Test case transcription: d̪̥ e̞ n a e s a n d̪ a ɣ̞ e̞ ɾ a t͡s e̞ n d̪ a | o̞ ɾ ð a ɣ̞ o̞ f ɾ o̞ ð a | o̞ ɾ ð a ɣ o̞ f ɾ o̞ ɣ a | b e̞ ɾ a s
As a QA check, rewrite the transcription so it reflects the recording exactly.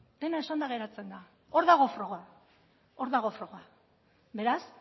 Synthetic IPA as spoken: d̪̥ e̞ n a e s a n d̪ a ɣ̞ e̞ ɾ a t͡s e̞ n d̪ a | o̞ ɾ ð a ɣ̞ o̞ f ɾ o̞ ɣ a | o̞ ɾ ð a ɣ o̞ f ɾ o̞ ɣ a | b e̞ ɾ a s